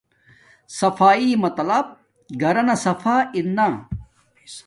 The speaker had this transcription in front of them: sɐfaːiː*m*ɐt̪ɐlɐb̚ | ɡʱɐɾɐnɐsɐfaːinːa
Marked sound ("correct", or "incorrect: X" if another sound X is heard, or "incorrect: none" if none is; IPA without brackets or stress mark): correct